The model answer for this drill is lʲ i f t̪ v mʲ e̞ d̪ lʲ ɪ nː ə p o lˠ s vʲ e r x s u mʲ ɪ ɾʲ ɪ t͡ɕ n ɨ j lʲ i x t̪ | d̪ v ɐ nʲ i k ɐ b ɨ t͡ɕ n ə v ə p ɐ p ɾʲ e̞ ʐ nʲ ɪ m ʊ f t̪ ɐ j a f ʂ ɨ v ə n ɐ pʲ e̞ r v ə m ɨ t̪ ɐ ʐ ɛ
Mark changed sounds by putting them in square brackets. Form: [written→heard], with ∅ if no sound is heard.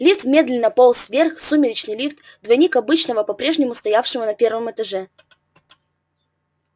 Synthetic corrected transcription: lʲ i f t̪ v mʲ e̞ d̪ lʲ ɪ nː ə p o lˠ s vʲ e r x s u mʲ ɪ ɾʲ ɪ t͡ɕ n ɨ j lʲ i [x→f] t̪ | d̪ v ɐ nʲ i k ɐ b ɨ t͡ɕ n ə v ə p ɐ p ɾʲ e̞ ʐ nʲ ɪ m ʊ [f→s] t̪ ɐ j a f ʂ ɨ v ə n ɐ pʲ e̞ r v ə m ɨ t̪ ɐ ʐ ɛ